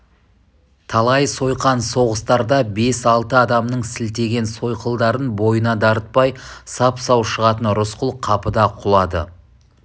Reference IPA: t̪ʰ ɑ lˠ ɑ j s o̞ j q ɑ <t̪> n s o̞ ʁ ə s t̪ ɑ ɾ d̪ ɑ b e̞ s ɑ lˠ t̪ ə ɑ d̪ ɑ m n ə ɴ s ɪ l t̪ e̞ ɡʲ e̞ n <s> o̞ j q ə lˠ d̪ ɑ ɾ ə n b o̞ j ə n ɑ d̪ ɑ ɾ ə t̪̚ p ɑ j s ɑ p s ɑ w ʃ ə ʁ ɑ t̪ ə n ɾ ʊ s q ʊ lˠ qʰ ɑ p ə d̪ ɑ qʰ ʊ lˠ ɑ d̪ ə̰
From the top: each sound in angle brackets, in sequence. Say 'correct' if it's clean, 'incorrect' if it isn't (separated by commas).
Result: incorrect, correct